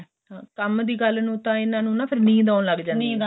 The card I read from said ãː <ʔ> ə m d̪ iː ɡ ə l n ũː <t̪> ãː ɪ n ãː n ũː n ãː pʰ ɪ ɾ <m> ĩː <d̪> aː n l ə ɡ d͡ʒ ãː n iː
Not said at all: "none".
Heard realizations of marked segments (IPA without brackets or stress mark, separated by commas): k, t̪, n, d̪